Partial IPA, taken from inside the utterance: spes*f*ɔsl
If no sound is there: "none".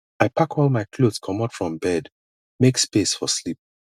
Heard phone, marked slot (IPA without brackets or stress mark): f